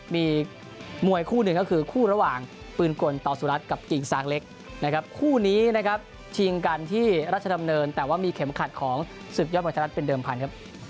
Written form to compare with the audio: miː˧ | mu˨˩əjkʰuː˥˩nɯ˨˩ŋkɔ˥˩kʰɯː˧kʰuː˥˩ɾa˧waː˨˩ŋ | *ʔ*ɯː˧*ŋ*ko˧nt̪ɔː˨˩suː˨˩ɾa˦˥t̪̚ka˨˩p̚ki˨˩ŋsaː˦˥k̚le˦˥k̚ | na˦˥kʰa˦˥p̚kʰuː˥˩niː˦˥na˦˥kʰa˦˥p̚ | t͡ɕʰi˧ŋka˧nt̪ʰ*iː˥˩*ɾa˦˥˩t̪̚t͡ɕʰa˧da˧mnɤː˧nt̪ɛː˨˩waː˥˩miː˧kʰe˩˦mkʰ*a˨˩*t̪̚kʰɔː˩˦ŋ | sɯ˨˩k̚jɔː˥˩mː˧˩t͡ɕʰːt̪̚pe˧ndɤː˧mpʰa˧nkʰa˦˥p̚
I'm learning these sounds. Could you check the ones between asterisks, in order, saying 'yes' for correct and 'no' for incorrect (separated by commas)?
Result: no, no, yes, yes